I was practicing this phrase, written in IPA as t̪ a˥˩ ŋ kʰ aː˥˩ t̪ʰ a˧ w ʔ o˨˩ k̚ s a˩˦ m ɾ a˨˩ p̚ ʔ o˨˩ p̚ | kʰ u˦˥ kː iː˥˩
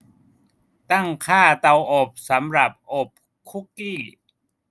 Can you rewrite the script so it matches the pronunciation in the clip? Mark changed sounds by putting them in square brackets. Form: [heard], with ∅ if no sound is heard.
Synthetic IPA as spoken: t̪ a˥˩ ŋ kʰ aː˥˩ [t̪] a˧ w ʔ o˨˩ [p̚] s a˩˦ m ɾ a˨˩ p̚ ʔ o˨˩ p̚ | kʰ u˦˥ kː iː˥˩

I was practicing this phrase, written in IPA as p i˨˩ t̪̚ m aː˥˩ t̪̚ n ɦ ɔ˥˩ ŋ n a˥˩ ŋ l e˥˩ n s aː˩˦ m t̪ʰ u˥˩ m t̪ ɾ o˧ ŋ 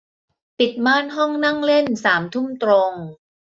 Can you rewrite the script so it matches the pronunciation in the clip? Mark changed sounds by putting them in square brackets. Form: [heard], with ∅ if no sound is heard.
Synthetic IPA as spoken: p i˨˩ t̪̚ m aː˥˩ [∅] n ɦ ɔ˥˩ ŋ n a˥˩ ŋ l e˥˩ n s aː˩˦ m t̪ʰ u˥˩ m t̪ ɾ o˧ ŋ

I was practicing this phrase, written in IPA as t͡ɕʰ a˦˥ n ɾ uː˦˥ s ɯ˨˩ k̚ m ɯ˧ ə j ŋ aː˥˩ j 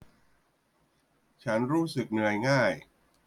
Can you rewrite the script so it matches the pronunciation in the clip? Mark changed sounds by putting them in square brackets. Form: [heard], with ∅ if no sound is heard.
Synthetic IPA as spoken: t͡ɕʰ a˦˥ n ɾ uː˦˥ s ɯ˨˩ k̚ [n] ɯ˧ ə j ŋ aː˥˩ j

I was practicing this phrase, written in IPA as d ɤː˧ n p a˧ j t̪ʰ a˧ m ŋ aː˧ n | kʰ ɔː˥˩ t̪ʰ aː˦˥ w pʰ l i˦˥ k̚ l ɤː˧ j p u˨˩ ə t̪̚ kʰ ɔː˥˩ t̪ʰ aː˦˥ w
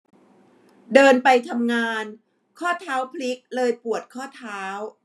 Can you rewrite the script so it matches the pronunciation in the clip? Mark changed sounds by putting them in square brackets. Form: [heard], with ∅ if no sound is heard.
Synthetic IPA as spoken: d ɤː˧ n p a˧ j t̪ʰ a˧ m ŋ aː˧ n | kʰ ɔː˥˩ t̪ʰ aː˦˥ w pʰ l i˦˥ k̚ l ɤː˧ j p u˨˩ ə t̪̚ kʰ ɔː˥˩ t̪ʰ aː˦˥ w

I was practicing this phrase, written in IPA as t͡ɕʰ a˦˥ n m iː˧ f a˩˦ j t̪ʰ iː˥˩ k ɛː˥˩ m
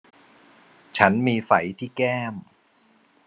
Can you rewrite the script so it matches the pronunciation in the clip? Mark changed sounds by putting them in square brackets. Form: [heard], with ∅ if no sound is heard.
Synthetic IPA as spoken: t͡ɕʰ a˦˥ n m iː˧ f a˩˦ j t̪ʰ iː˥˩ k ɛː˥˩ m

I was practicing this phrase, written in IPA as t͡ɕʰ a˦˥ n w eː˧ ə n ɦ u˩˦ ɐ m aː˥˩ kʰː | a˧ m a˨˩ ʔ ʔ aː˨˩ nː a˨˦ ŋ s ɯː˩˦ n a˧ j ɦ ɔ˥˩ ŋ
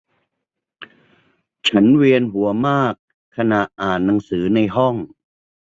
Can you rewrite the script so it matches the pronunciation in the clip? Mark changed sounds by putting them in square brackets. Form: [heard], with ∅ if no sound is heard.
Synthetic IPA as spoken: t͡ɕʰ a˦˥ n w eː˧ ə n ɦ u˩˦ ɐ m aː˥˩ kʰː | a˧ [n] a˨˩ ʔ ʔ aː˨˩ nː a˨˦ ŋ s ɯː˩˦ n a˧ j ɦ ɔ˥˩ ŋ

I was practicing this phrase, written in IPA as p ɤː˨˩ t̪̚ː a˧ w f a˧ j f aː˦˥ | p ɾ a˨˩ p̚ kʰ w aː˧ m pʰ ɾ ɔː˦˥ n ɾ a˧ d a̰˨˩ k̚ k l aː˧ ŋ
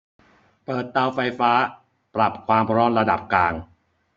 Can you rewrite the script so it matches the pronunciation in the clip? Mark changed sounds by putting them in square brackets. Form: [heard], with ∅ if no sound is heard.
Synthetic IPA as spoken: p ɤː˨˩ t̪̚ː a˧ w f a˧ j f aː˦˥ | p ɾ a˨˩ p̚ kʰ w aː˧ m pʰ ɾ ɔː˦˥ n ɾ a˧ d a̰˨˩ [p̚] k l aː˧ ŋ

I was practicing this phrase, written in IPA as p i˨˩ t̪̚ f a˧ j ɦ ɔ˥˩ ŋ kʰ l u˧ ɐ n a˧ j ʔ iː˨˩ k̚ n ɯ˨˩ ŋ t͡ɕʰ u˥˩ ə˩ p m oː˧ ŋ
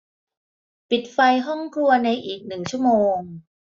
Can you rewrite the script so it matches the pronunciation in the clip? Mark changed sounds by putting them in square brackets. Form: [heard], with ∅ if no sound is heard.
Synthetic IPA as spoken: p i˨˩ t̪̚ f a˧ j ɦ ɔ˥˩ ŋ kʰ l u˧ ɐ n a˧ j ʔ iː˨˩ k̚ n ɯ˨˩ ŋ t͡ɕʰ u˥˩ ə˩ [∅] m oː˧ ŋ

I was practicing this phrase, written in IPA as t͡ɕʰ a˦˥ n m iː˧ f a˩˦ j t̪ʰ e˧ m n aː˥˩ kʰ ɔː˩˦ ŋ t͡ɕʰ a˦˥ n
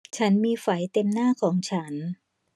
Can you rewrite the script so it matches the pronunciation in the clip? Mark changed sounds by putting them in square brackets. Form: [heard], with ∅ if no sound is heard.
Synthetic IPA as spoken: t͡ɕʰ a˦˥ n m iː˧ f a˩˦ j [t̪] e˧ m n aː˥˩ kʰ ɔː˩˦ ŋ t͡ɕʰ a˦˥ n

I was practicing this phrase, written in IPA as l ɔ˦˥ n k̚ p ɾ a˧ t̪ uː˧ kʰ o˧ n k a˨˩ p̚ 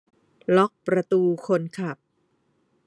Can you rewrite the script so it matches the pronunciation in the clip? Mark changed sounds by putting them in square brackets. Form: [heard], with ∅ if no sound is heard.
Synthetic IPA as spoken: l ɔ˦˥ [∅] k̚ p ɾ a˧ t̪ uː˧ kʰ o˧ n [kʰ] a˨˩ p̚

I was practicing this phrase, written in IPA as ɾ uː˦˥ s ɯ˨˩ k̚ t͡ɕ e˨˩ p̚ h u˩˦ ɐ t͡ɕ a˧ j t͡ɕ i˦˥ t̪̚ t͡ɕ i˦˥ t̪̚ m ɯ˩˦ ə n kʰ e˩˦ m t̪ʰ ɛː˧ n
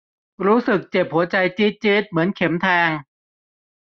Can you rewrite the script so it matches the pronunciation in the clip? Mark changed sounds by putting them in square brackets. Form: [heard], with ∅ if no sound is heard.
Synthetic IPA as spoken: ɾ uː˦˥ s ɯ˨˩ k̚ t͡ɕ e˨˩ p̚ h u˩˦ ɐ t͡ɕ a˧ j t͡ɕ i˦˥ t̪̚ t͡ɕ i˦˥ t̪̚ m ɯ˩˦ ə n kʰ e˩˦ m t̪ʰ ɛː˧ [ŋ]

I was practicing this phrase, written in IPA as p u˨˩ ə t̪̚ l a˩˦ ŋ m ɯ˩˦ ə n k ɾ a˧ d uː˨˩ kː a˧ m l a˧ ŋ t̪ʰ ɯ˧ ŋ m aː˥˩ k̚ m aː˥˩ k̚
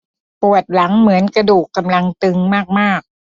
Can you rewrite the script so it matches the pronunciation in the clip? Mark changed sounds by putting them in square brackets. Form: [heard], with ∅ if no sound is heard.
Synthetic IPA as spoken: p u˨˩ ə t̪̚ l a˩˦ ŋ m ɯ˩˦ ə n k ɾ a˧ d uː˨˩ kː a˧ m l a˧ ŋ [t̪] ɯ˧ ŋ m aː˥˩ k̚ m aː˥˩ k̚

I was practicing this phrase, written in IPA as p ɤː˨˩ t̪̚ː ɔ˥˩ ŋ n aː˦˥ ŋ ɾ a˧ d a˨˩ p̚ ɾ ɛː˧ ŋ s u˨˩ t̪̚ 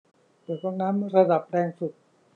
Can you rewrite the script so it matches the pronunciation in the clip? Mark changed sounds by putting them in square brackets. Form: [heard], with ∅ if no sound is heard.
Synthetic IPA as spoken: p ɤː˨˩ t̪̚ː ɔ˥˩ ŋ n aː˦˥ [m] ɾ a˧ d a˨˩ p̚ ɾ ɛː˧ ŋ s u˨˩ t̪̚

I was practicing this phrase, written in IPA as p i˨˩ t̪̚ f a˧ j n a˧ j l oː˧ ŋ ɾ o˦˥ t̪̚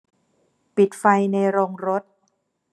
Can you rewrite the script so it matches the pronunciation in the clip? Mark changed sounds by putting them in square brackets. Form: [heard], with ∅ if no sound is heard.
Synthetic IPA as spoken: p i˨˩ t̪̚ f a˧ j n a˧ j [ɾ] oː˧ ŋ ɾ o˦˥ t̪̚

